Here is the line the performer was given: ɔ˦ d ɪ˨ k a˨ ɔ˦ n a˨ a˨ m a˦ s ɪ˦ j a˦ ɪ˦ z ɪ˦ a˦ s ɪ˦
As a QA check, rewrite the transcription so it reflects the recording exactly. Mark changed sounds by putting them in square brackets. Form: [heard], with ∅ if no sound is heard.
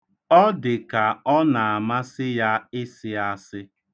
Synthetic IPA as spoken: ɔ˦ d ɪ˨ k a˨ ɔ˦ n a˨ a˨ m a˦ s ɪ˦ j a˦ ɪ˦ [s] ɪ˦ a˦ s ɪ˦